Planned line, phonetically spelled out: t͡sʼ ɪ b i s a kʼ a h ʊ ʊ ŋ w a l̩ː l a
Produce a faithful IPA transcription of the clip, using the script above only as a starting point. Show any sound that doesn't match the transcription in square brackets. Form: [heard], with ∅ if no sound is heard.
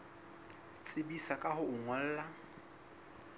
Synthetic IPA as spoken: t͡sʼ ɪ b i s a kʼ a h ʊ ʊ ŋ w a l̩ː l a